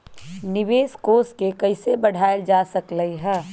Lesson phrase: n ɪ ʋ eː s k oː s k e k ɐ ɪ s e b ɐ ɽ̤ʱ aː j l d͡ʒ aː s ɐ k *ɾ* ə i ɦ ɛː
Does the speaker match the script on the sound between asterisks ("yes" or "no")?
no